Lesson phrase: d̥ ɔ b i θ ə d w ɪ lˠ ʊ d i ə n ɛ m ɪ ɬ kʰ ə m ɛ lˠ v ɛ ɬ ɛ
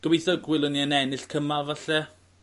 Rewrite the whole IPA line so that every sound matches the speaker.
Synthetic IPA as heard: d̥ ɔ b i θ ə ɡ w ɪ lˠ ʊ n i ə n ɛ n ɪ ɬ kʰ ə m a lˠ v a ɬ ɛ